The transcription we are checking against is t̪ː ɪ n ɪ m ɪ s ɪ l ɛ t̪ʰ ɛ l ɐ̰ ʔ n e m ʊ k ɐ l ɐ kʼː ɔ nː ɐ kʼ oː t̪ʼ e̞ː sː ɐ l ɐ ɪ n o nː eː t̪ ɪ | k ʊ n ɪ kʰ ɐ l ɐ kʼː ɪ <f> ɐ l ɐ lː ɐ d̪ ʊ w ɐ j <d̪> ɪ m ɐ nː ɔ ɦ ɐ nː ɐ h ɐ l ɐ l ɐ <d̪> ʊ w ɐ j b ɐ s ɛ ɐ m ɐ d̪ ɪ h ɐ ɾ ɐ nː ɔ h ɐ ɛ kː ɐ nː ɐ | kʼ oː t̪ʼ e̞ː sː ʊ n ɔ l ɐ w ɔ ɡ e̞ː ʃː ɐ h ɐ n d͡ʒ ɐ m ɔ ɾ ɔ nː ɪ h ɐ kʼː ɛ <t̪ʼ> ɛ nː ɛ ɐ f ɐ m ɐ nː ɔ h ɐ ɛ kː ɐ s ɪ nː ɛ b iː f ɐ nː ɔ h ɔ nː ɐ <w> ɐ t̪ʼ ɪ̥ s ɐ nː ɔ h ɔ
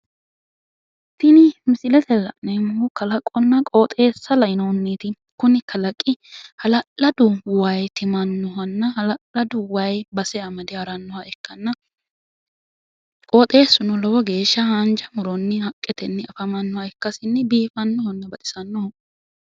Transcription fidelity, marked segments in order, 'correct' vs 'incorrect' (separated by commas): incorrect, incorrect, correct, incorrect, incorrect